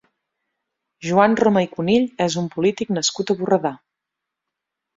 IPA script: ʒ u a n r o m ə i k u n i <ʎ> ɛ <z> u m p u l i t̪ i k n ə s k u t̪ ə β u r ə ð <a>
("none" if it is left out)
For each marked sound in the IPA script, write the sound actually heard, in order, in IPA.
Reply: ʎ, z, a

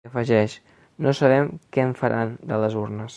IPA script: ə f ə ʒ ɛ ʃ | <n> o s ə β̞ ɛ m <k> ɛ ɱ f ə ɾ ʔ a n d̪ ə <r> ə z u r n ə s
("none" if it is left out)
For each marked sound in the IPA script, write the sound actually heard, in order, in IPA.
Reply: n, k, l

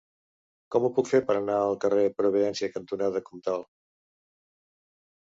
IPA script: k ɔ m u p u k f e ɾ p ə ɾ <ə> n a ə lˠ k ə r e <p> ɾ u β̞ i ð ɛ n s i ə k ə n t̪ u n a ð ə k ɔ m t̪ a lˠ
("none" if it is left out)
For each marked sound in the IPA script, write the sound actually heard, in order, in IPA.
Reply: ə, p

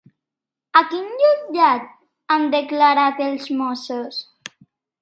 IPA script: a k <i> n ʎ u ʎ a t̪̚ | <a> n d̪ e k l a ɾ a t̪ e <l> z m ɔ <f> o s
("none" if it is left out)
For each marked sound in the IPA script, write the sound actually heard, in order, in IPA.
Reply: i, a, l, s

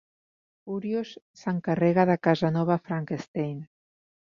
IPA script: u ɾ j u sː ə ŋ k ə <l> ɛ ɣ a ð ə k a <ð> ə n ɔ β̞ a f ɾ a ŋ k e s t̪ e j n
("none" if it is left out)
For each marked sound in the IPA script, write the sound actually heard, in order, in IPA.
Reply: r, z

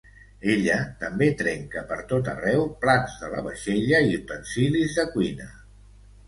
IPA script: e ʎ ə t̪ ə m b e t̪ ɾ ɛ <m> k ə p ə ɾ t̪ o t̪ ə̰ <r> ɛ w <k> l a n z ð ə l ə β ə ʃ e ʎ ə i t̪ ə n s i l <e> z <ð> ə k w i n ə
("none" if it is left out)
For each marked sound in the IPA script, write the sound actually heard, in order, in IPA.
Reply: ŋ, r, p, i, ð

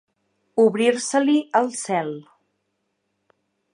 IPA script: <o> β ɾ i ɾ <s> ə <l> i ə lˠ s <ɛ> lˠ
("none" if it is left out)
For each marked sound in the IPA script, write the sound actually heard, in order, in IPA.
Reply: u, s, l, ɛ

